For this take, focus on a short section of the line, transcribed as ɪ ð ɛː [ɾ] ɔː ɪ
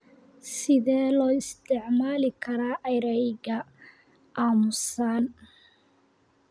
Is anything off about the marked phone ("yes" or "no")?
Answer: yes